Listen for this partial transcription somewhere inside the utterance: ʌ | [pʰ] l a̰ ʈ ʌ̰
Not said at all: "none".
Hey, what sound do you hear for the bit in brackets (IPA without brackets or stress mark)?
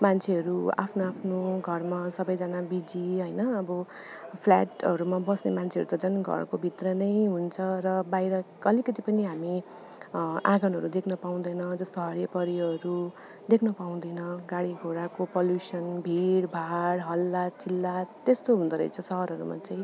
pʰ